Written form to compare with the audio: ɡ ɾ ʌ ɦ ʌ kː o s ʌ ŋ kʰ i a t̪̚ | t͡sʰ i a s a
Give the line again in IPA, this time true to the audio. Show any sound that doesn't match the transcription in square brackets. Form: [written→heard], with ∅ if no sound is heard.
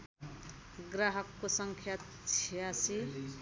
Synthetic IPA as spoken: ɡ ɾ [ʌ→a] ɦ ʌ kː o s ʌ ŋ kʰ [i→j] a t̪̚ | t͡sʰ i a s [a→i]